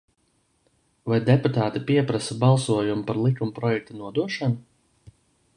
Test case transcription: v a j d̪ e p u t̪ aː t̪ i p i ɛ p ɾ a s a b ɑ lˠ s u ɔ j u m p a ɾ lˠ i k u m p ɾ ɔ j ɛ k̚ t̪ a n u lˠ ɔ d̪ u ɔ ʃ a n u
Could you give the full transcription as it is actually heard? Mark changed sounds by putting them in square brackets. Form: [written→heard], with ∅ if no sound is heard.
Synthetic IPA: v a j d̪ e p u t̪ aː t̪ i p i ɛ p ɾ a s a b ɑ lˠ s u ɔ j u m p a ɾ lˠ i k u m p ɾ ɔ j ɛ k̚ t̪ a n u [lˠ→∅] ɔ d̪ u ɔ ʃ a n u

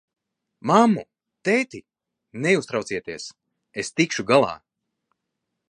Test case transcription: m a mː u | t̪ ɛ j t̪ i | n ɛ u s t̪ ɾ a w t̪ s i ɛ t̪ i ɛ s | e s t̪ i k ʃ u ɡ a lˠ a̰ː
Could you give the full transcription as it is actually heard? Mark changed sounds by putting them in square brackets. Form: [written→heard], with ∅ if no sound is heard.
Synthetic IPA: m a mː u | t̪ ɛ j t̪ i | n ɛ u s t̪ ɾ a w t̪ s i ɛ t̪ i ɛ s | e s t̪ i k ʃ u ɡ a lˠ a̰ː

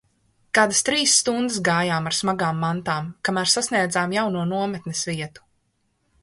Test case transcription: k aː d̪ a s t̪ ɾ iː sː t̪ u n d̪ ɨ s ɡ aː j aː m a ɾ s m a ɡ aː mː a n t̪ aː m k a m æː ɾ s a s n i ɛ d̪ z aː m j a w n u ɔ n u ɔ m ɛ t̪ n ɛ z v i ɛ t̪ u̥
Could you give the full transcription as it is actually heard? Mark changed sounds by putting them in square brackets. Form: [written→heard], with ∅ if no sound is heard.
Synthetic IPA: k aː d̪ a s t̪ ɾ iː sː t̪ u n d̪ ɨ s ɡ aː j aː m a ɾ s m a ɡ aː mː a n t̪ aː m k a m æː ɾ s a s n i ɛ d̪ z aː m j a w n u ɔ n u ɔ m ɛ t̪ n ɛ [z→s] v i ɛ t̪ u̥

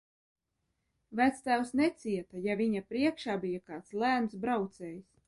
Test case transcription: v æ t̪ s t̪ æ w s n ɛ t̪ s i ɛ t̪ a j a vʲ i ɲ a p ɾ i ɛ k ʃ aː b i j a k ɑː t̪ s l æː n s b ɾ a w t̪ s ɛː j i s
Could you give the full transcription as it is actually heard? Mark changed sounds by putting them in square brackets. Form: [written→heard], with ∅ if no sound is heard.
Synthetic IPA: v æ t̪ s t̪ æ w s n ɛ t̪ s i ɛ t̪ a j a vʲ i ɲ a p ɾ i ɛ k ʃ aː b i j a k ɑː t̪ s l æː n s b ɾ a w t̪ s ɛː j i s

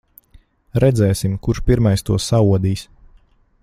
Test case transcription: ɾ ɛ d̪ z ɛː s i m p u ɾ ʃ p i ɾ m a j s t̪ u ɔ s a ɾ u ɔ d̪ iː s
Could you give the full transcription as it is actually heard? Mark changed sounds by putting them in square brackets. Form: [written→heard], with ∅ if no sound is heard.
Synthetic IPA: ɾ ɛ d̪ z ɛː s i m [p→k] u ɾ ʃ p i ɾ m a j s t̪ u ɔ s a [ɾ→∅] u ɔ d̪ iː s

